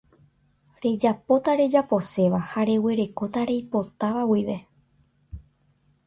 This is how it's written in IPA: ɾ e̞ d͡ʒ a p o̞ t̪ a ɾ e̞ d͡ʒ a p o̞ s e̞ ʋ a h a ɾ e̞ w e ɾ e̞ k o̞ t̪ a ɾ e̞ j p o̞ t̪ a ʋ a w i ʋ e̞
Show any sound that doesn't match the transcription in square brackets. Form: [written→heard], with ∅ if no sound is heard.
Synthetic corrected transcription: ɾ e̞ d͡ʒ a p o̞ t̪ a ɾ e̞ d͡ʒ a p o̞ s e̞ ʋ a h a ɾ e̞ w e ɾ e̞ k o̞ t̪ a ɾ e̞ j p o̞ t̪ a ʋ a w i ʋ e̞